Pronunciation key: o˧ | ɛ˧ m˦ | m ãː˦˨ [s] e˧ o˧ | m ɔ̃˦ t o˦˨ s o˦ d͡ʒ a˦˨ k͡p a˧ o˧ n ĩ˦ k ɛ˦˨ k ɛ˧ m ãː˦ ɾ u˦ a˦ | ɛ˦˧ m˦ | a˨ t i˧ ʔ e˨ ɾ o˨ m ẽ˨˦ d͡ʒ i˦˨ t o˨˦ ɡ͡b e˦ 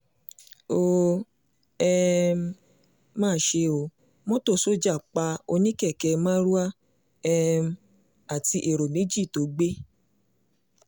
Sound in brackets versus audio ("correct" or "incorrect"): incorrect